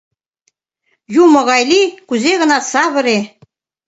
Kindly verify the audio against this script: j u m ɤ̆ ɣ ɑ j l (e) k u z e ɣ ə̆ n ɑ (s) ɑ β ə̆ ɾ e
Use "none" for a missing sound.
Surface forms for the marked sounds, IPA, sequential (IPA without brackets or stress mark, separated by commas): i, s